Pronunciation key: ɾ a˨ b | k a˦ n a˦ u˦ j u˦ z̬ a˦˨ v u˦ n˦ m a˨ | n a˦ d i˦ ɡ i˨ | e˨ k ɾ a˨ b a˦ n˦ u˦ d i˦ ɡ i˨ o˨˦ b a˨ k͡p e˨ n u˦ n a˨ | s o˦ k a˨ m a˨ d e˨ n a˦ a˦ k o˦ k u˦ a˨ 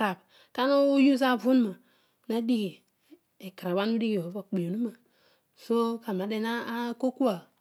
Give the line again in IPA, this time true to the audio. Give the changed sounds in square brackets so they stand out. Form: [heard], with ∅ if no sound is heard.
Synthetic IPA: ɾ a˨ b | k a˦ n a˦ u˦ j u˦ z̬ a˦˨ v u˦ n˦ m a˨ | n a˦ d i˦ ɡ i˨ | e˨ k ɾ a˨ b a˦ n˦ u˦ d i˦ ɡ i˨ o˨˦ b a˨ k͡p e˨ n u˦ [m] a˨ | s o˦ k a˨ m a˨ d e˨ n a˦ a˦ k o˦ k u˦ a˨

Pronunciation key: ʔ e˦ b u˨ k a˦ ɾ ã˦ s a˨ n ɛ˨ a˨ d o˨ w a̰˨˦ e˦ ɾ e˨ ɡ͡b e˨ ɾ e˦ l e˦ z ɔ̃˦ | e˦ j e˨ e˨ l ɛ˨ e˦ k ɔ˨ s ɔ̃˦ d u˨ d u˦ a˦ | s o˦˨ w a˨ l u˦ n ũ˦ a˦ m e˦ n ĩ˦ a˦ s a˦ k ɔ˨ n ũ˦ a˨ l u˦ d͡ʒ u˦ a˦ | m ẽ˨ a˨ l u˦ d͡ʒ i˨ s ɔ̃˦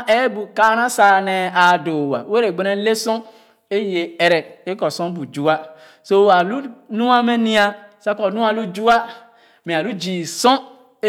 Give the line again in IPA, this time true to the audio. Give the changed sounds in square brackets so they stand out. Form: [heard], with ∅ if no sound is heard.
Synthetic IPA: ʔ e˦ b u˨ k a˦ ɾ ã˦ s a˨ n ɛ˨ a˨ d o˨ w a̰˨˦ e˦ ɾ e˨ ɡ͡b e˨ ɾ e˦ l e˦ [s] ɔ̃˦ | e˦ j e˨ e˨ [ɾ] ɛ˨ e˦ k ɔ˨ s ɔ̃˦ [b] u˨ [d͡ʒ] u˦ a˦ | s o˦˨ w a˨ l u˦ n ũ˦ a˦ m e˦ n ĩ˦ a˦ s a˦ k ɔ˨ n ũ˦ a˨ l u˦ d͡ʒ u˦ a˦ | m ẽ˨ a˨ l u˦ d͡ʒ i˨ s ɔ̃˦

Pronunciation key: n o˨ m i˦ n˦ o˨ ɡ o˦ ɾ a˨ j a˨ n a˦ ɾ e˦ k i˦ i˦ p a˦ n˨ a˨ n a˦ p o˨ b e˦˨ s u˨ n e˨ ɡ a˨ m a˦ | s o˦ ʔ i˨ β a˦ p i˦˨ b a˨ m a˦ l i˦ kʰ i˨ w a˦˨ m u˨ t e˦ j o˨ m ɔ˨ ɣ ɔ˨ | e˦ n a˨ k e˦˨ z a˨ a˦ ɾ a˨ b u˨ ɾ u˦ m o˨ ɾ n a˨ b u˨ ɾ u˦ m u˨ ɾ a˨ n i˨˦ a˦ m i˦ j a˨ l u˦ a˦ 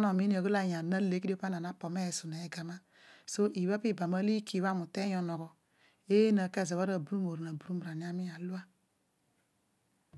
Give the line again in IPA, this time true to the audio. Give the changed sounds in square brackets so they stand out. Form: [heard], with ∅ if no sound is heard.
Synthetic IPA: n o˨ m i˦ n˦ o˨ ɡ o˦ [l] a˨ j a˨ n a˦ [l] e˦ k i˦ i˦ p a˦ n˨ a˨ n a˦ p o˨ [m] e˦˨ s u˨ n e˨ ɡ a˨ m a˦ | s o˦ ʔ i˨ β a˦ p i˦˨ b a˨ m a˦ l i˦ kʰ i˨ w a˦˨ m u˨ t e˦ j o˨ [n] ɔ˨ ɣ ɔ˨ | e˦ n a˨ k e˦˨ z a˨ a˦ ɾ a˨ b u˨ ɾ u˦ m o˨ ɾ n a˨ b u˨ ɾ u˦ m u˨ ɾ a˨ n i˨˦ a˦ m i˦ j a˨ l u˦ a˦

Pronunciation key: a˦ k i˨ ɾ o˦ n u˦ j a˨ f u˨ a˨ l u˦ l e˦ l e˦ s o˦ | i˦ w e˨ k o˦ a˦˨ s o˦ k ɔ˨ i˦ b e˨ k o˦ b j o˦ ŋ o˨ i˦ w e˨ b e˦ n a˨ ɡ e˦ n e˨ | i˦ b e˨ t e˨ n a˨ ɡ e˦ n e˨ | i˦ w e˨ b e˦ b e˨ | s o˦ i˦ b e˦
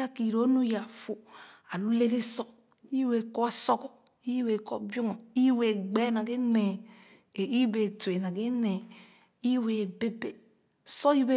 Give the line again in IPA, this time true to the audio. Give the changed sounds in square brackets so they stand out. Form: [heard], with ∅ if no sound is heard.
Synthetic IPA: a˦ k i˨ ɾ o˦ n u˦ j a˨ f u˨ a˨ l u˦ l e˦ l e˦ s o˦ | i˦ w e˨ k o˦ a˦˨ s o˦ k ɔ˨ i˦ [w] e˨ k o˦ b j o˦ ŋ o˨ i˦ w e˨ [ɡ͡b] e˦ n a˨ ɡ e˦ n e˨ | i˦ b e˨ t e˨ n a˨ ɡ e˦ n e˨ | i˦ w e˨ b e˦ b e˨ | s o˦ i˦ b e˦

